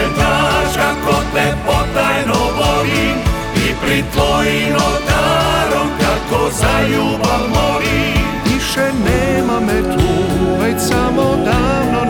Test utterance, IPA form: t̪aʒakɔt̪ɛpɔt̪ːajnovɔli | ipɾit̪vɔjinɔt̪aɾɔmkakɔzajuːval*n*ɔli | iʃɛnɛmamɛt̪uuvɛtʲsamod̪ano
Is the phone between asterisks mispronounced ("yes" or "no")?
yes